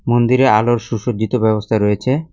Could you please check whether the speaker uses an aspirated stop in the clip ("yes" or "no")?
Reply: yes